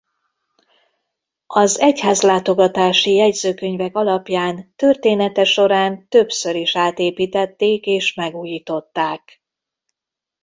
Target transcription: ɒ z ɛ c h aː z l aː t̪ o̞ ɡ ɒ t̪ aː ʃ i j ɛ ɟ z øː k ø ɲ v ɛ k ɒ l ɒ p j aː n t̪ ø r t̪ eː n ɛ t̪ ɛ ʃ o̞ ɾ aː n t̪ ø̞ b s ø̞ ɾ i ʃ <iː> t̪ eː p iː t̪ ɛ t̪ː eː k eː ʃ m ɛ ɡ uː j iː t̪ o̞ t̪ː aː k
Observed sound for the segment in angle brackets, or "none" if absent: aː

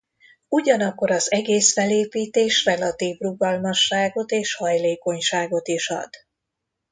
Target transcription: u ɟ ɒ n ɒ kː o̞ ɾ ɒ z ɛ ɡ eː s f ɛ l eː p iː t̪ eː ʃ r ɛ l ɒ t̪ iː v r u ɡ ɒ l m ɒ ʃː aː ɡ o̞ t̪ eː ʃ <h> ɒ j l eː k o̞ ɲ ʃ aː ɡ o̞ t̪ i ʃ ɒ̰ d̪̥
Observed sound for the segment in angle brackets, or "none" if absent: h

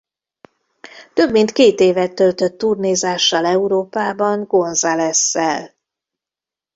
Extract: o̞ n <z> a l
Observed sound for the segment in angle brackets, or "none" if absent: z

